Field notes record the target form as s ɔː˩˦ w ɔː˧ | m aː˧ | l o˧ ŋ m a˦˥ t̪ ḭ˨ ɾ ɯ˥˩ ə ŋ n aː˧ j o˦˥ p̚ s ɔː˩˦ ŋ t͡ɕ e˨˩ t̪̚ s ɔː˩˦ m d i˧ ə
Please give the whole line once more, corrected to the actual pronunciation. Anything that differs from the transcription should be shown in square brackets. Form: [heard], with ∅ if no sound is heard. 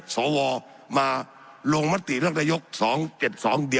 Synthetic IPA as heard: s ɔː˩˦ w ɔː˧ | m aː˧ | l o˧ ŋ m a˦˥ t̪ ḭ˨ ɾ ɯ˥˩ ə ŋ n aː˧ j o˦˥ [k̚] s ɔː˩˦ ŋ t͡ɕ e˨˩ t̪̚ s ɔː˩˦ [ŋ] d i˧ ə